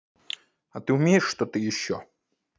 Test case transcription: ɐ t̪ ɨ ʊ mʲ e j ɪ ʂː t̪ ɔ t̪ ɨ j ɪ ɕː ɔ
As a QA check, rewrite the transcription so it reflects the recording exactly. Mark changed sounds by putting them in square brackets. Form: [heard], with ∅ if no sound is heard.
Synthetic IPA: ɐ t̪ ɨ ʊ mʲ e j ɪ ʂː t̪ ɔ t̪ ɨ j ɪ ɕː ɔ